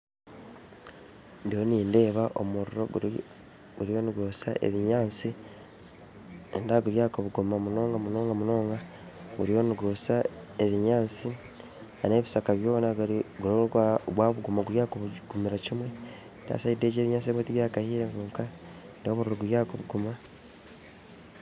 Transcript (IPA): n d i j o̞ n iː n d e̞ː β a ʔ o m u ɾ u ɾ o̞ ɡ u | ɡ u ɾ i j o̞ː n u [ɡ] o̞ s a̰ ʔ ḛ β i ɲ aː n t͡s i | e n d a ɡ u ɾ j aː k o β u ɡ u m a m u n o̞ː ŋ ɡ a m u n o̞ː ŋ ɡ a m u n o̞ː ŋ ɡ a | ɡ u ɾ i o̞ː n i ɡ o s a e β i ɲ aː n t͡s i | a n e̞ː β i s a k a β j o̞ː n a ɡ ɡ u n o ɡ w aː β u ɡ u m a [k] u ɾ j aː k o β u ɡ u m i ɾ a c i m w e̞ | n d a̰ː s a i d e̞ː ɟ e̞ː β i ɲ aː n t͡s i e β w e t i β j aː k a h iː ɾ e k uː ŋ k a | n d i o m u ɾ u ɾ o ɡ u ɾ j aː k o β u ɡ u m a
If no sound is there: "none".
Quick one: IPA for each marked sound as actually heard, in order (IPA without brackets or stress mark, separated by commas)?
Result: ɡ, ɡ